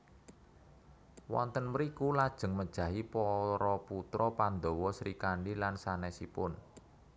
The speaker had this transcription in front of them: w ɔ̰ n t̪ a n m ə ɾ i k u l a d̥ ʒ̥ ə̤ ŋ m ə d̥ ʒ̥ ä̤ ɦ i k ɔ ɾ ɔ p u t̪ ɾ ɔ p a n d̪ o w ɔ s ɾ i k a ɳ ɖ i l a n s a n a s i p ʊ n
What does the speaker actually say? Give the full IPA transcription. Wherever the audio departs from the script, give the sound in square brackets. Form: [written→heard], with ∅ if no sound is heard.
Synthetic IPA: w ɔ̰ n t̪ [a→ə] n m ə ɾ i k u l a d̥ ʒ̥ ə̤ ŋ m ə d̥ ʒ̥ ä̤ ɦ i [k→p] ɔ ɾ ɔ p u t̪ ɾ ɔ p a n d̪ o w ɔ s ɾ i k a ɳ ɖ i l a n s a n [a→ɛ] s i p ʊ n